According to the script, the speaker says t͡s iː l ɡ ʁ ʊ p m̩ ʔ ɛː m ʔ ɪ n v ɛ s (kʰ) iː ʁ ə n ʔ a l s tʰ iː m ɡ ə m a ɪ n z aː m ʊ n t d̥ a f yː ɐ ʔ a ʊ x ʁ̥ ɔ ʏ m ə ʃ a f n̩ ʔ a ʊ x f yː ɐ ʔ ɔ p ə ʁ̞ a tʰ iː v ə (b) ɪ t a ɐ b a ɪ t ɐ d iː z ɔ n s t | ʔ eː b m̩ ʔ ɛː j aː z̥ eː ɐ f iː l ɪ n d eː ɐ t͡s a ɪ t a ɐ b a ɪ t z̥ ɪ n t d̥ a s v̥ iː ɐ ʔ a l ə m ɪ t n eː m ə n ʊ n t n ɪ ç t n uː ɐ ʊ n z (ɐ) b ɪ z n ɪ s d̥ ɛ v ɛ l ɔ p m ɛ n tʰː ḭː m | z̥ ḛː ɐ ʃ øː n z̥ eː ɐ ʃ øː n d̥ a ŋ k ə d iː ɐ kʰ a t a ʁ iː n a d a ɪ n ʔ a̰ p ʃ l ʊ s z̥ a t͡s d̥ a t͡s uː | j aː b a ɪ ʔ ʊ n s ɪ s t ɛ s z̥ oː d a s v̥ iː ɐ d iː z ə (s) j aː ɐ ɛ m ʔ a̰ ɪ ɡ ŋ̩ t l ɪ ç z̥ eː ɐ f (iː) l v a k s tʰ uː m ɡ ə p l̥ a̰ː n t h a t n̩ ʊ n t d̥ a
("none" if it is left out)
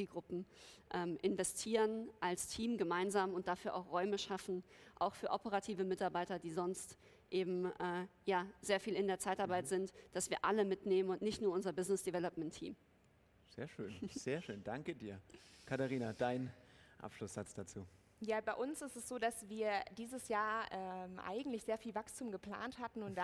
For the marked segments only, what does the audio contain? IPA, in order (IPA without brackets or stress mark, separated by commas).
tʰ, m, ɐ, s, iː